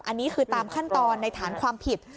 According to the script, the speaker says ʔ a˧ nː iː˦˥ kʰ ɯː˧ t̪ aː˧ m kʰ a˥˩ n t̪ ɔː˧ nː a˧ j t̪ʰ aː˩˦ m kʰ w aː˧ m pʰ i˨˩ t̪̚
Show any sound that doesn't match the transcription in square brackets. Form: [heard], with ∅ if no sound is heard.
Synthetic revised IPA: ʔ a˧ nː iː˦˥ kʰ ɯː˧ t̪ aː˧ m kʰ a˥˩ n t̪ ɔː˧ nː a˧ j t̪ʰ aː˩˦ [n] kʰ w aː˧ m pʰ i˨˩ t̪̚